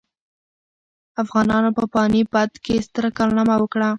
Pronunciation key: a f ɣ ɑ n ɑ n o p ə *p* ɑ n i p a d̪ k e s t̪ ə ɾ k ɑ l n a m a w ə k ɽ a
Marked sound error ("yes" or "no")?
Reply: no